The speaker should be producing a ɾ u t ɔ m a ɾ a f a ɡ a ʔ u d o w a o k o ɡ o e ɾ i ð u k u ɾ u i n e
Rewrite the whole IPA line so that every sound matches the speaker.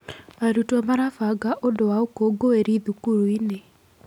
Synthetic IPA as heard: a ɾ u t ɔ m a ɾ a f a ɡ a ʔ o d o w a o k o ɡ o e ɾ i ð u k u ɾ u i n e